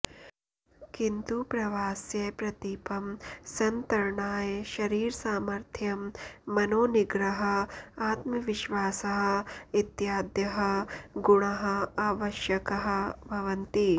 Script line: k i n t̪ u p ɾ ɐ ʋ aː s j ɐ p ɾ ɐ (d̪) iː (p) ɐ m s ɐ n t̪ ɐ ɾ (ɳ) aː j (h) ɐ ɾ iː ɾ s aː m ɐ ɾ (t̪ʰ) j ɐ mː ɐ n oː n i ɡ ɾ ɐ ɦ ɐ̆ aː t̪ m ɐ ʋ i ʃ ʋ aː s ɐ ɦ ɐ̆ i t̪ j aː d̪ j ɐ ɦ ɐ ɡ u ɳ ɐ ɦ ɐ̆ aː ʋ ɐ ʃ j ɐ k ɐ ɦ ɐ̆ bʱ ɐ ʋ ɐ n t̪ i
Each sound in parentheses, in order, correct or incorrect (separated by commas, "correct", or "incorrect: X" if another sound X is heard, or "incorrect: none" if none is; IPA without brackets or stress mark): incorrect: t̪, correct, correct, incorrect: ʃ, correct